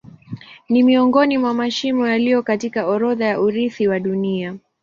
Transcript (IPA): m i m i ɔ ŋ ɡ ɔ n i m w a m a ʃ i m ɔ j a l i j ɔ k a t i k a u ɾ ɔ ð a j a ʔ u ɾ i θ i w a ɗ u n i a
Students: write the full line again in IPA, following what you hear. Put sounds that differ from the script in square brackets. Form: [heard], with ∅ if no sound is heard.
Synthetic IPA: [n] i m i ɔ ŋ ɡ ɔ n i m w a m a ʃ i m ɔ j a l i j ɔ k a t i k a [ɔ] ɾ ɔ ð a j a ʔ u ɾ i θ i w a ɗ u n i a